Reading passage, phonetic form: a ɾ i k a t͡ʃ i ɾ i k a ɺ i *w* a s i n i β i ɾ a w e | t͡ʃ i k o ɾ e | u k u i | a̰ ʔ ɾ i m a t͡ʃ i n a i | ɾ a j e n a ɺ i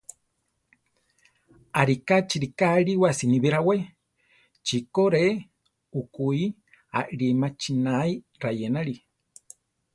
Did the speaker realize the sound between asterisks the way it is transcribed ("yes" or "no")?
yes